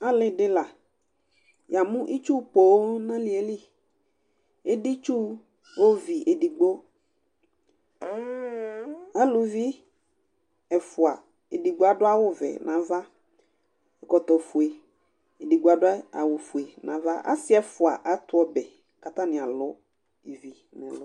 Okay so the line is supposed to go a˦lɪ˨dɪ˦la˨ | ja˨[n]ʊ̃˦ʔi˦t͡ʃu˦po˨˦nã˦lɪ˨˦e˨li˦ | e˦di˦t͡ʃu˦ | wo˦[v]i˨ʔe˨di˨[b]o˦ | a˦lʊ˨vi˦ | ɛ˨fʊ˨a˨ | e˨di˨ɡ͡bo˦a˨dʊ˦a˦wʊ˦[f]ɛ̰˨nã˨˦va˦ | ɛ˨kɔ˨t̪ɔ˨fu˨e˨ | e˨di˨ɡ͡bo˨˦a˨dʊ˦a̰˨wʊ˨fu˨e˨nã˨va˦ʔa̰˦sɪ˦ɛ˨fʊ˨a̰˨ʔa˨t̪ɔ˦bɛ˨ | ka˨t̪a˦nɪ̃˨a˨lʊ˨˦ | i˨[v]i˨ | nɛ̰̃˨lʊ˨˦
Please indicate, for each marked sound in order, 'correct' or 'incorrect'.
incorrect, correct, incorrect, incorrect, correct

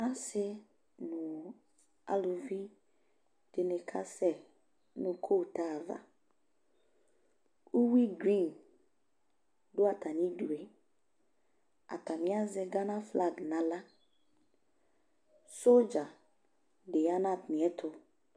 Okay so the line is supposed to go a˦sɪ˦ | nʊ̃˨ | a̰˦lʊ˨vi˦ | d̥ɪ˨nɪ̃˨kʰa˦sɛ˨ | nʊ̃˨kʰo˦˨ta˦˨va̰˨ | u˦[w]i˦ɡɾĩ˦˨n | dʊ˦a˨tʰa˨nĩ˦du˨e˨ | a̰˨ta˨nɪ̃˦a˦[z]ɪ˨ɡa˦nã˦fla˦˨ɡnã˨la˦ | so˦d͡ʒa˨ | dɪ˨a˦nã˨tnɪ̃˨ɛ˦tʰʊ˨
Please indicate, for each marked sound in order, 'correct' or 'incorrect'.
correct, correct

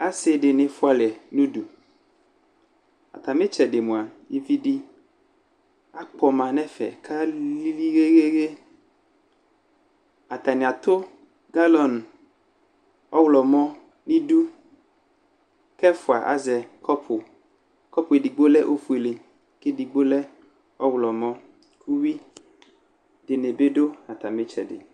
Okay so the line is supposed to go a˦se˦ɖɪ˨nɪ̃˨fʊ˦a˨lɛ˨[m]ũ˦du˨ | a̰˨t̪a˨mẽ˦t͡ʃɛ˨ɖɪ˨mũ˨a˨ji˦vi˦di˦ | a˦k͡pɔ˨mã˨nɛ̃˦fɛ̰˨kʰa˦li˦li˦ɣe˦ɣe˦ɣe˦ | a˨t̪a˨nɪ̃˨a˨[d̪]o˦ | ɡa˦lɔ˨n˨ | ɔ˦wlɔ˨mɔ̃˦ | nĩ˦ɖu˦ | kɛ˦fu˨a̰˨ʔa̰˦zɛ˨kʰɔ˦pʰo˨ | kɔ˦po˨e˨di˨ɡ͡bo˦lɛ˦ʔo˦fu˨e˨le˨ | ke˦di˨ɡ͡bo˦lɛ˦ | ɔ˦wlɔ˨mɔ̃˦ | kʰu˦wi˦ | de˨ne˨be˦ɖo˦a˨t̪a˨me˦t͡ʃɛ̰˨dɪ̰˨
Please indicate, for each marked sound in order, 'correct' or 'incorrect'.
incorrect, incorrect

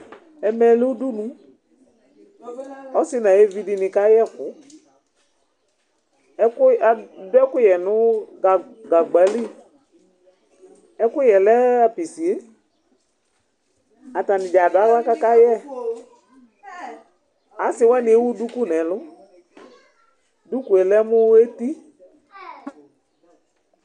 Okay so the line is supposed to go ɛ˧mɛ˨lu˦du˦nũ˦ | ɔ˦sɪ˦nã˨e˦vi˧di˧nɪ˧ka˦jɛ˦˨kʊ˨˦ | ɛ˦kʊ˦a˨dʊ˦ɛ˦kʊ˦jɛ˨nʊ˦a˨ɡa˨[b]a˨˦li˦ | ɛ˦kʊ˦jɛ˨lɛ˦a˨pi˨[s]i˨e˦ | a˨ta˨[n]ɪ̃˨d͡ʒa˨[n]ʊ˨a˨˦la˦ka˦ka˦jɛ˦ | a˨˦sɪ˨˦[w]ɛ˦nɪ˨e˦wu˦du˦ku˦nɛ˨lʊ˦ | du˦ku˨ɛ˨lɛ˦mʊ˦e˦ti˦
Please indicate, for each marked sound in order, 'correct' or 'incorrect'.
incorrect, correct, correct, incorrect, correct

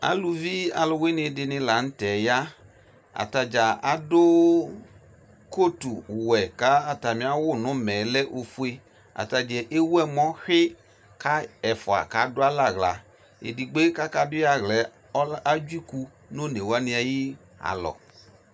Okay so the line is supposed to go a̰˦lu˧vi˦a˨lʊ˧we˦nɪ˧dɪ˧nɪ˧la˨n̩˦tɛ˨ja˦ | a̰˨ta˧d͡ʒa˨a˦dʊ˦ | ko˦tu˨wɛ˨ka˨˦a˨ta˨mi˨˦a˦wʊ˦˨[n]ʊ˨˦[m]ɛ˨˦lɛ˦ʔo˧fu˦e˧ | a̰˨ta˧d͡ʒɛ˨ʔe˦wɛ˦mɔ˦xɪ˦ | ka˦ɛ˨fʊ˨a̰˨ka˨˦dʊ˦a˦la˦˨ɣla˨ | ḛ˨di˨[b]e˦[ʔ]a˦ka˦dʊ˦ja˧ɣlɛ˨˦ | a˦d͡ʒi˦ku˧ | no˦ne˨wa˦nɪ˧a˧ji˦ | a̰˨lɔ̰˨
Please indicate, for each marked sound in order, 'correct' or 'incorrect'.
correct, correct, incorrect, incorrect

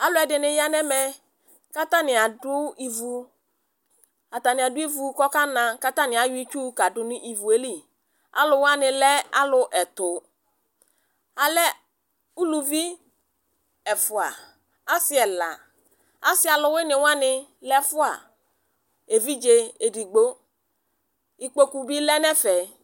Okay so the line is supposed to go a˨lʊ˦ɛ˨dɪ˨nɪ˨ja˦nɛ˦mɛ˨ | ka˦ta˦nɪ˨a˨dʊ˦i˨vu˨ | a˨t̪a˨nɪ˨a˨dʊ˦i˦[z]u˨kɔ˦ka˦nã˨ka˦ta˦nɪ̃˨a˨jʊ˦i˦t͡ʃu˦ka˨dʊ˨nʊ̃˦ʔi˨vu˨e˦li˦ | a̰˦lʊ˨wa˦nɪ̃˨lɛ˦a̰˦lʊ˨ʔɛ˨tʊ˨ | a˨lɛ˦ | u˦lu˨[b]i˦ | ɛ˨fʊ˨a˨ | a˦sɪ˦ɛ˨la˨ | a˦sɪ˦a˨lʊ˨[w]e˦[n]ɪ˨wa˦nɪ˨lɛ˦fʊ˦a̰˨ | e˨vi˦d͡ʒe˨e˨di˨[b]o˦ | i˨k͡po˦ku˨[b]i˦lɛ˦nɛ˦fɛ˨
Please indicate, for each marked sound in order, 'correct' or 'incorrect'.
incorrect, incorrect, correct, correct, incorrect, correct

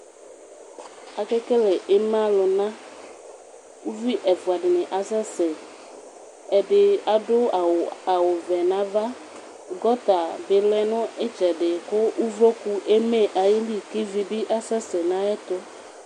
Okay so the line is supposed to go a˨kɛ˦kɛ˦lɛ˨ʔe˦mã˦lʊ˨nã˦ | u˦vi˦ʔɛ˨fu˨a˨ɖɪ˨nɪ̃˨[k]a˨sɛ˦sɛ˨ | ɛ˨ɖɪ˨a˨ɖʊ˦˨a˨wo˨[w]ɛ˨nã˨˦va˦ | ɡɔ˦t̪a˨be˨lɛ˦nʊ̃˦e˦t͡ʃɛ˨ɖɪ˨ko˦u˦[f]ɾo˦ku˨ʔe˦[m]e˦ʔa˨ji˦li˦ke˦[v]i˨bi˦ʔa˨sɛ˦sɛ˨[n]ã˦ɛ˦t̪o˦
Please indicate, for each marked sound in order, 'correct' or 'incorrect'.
incorrect, incorrect, incorrect, correct, correct, correct

